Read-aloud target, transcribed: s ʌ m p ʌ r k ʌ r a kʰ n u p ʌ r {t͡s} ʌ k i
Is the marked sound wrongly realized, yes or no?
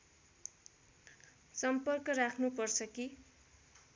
yes